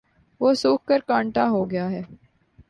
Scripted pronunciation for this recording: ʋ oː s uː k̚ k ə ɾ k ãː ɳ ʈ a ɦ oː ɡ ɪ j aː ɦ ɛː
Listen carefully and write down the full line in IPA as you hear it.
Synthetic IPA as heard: ʋ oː s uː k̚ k ə ɾ k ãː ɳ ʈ a ɦ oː ɡ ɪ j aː ɦ ɛː